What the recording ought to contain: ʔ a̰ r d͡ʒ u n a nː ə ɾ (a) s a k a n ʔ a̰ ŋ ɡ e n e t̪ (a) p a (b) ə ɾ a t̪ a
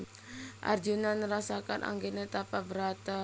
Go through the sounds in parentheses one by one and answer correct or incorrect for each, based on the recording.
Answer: correct, correct, correct

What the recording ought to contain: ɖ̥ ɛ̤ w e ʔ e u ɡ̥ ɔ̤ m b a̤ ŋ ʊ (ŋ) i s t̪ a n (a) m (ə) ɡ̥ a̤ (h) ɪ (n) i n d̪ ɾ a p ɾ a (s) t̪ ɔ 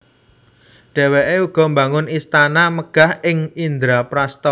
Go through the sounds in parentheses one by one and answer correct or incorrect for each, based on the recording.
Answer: incorrect: n, correct, correct, correct, incorrect: ŋ, correct

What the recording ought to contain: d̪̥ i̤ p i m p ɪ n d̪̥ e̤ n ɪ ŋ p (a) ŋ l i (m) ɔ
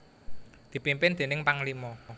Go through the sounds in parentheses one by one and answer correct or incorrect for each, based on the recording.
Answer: correct, correct

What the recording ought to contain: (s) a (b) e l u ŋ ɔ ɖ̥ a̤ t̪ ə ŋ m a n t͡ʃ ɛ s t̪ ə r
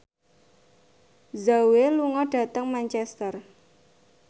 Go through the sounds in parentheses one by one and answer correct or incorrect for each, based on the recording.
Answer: incorrect: z, incorrect: w

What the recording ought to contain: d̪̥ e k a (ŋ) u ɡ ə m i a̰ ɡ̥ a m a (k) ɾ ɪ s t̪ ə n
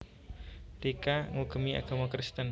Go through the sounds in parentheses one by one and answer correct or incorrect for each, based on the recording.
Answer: correct, correct

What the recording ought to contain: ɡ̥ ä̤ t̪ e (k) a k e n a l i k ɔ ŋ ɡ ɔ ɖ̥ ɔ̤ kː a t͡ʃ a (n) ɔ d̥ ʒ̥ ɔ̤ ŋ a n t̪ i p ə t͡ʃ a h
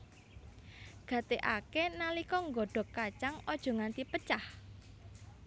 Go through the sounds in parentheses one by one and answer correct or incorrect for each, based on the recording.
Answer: incorrect: ʔ, incorrect: ŋ

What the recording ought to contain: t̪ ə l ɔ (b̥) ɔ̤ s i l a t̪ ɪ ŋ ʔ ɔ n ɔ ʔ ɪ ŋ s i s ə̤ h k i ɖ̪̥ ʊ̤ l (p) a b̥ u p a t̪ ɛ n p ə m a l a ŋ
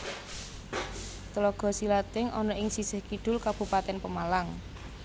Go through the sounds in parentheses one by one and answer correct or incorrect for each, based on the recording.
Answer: incorrect: ɡ̥, incorrect: k

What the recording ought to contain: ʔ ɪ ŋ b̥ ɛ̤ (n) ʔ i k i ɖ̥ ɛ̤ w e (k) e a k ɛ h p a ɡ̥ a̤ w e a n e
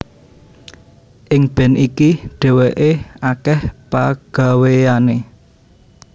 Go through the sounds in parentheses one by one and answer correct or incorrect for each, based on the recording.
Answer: correct, incorrect: ʔ

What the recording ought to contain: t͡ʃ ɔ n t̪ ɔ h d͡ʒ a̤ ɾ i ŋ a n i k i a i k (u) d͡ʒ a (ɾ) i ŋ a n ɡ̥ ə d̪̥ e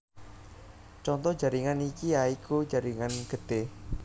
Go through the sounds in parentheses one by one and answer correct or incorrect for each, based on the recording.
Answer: correct, correct

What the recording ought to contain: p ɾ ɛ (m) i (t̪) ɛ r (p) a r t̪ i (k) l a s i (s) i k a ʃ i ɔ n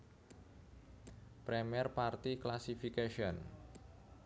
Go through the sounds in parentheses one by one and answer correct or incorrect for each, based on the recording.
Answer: correct, incorrect: none, correct, correct, incorrect: f

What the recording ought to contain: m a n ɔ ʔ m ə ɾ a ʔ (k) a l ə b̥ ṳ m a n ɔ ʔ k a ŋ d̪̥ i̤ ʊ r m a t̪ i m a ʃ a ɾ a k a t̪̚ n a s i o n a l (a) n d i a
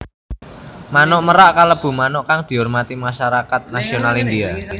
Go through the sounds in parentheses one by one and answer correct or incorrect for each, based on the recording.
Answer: correct, incorrect: i

